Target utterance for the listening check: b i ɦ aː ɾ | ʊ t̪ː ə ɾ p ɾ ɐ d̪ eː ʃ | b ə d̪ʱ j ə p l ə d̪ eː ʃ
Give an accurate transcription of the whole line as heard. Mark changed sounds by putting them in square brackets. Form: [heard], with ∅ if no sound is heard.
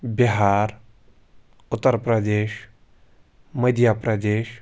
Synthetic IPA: b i ɦ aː ɾ | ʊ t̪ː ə ɾ p ɾ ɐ d̪ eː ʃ | [m] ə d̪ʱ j [a] p [ɾ] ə d̪ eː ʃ